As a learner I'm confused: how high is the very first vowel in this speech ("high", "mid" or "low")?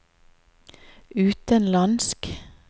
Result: high